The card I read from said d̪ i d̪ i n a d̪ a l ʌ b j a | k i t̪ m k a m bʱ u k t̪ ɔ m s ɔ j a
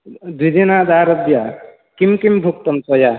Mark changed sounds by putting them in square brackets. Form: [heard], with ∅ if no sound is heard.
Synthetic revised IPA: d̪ i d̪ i n a d̪ a [ɾ] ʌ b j a | k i [∅] m k [i] m bʱ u k t̪ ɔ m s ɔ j a